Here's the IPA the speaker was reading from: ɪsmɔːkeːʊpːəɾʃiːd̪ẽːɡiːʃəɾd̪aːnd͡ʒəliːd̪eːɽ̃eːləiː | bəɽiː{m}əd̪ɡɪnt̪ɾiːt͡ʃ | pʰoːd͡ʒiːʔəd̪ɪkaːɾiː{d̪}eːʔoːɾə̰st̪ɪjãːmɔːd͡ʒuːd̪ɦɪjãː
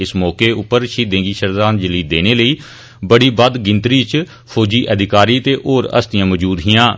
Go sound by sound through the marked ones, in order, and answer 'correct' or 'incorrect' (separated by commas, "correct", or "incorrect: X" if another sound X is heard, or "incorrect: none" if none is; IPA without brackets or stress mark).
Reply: incorrect: b, incorrect: t̪